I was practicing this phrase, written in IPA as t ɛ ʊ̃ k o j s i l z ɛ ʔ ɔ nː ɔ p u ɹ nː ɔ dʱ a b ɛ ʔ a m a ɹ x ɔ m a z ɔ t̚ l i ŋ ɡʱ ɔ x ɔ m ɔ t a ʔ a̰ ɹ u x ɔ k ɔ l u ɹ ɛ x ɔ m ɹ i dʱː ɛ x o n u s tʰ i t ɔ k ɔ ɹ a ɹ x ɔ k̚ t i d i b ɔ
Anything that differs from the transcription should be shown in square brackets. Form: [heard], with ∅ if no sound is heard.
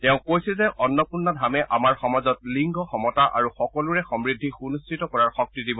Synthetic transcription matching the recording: t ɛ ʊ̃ k o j s i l z ɛ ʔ ɔ nː ɔ p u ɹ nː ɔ dʱ a [m] ɛ ʔ a m a ɹ x ɔ m a z ɔ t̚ l i ŋ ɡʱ ɔ x ɔ m ɔ t a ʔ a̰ ɹ u x ɔ k ɔ l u ɹ ɛ x ɔ m ɹ i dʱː [i] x [u] n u s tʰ i t ɔ k ɔ ɹ a ɹ x ɔ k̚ t i d i b ɔ